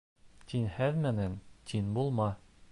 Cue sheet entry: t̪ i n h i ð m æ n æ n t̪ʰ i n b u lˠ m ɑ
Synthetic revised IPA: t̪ i n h æ ð m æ n æ n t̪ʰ i n b u lˠ m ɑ